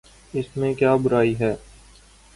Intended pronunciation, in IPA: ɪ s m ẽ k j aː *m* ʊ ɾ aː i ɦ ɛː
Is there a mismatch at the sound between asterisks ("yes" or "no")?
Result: yes